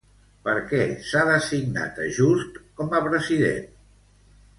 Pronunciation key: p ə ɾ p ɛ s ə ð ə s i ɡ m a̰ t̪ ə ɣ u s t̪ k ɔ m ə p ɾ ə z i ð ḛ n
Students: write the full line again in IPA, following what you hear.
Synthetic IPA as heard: p ə ɾ k ɛ s a ð ə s i ɡ n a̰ t̪ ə ʒ u s t̪ k ɔ m ə p ɾ ə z i ð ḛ n

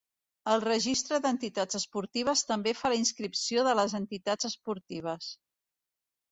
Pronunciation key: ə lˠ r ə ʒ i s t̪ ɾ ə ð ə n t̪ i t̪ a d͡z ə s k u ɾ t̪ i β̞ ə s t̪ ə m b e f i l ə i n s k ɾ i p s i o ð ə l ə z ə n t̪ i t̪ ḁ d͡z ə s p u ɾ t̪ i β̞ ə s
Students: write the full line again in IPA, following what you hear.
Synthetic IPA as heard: ə lˠ r ə ʒ i s t̪ ɾ ə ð ə n t̪ i t̪ a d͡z ə s p u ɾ t̪ i β̞ ə s t̪ ə m b e f a l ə i n s k ɾ i p s i o ð ə l ə z ə n t̪ i t̪ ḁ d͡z ə s p u ɾ t̪ i β̞ ə s

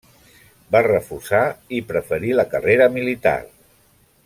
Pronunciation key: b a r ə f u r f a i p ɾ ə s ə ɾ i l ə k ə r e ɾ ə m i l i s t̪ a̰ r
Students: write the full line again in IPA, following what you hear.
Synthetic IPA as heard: b a r ə f u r s a i p ɾ ə f ə ɾ i l ə k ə r e ɾ ə m i l i t̪ a̰ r

